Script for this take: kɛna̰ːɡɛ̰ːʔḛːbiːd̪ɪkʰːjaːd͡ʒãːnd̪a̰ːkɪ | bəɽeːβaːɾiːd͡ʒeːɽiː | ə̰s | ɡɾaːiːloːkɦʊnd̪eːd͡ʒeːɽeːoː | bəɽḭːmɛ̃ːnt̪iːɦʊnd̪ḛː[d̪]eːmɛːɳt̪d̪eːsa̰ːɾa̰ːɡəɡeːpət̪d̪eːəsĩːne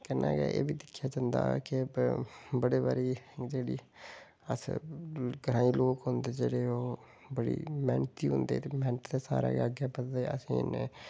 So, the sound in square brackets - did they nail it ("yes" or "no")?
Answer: no